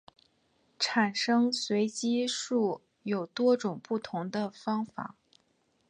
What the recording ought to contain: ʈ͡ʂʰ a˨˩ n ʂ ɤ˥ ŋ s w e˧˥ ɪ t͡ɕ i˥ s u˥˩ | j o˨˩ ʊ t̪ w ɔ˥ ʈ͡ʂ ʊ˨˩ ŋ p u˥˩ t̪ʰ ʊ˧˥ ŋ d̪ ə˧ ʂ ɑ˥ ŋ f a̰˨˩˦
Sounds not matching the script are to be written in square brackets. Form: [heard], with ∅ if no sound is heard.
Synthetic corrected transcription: ʈ͡ʂʰ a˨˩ n ʂ ɤ˥ ŋ s w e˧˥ ɪ t͡ɕ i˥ [ʂ] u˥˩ | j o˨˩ ʊ t̪ w ɔ˥ ʈ͡ʂ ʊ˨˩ ŋ p u˥˩ t̪ʰ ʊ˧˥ ŋ d̪ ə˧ [f] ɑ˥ ŋ f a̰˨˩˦